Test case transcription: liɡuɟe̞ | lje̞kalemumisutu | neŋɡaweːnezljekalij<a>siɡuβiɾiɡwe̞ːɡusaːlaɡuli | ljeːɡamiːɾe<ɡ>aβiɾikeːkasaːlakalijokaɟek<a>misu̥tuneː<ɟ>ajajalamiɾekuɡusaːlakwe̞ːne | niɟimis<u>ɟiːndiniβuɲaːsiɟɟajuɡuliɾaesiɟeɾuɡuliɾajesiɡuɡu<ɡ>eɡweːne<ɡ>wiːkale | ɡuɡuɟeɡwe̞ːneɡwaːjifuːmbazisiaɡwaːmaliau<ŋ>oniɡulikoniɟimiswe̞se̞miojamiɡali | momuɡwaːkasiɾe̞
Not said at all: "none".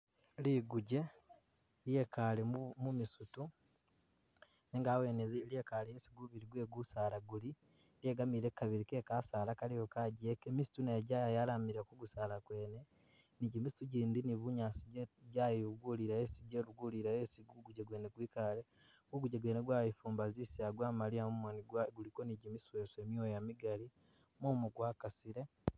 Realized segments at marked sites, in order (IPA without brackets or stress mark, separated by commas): e, k, e, ɟ, u, ɟ, ɡ, m